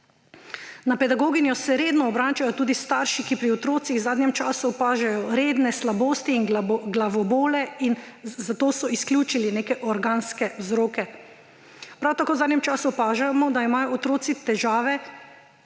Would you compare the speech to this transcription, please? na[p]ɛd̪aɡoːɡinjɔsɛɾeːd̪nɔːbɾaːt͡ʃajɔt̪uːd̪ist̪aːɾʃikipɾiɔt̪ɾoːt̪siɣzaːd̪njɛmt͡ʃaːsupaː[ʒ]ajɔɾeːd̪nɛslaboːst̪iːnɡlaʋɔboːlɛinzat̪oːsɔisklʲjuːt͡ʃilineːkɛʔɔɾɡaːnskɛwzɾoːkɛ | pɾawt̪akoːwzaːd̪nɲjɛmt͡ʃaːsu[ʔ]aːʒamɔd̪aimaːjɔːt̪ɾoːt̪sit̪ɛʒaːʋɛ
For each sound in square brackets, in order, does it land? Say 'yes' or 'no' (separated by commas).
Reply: yes, yes, no